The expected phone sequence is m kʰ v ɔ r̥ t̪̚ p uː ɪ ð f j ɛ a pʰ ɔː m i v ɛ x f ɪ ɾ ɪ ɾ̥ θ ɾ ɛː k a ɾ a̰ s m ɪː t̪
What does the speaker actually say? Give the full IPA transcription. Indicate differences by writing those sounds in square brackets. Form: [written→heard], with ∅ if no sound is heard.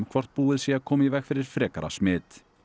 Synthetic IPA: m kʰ v ɔ r̥ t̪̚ p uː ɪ ð [f→s] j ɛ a [pʰ→kʰ] ɔː m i v ɛ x f ɪ ɾ ɪ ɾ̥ [θ→f] ɾ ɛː k a ɾ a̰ s m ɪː t̪